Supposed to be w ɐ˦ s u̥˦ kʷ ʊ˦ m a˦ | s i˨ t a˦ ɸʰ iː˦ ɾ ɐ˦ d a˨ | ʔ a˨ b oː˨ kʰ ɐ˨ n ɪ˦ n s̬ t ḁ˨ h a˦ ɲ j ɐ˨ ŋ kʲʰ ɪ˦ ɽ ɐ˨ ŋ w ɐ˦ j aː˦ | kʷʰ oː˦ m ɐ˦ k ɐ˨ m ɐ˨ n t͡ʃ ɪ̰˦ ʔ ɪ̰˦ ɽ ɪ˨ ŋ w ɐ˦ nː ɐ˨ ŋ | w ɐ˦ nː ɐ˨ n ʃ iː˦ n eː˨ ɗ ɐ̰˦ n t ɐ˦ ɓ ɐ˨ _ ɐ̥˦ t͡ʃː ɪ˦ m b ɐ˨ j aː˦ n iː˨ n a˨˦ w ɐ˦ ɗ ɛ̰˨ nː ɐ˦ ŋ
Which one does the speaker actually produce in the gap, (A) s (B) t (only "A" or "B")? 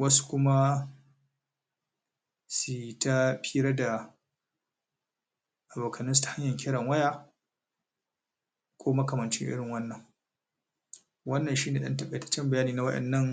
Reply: B